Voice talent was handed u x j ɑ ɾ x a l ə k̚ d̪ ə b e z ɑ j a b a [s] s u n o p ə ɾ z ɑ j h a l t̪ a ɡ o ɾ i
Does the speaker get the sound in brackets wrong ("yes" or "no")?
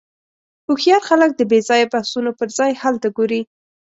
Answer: yes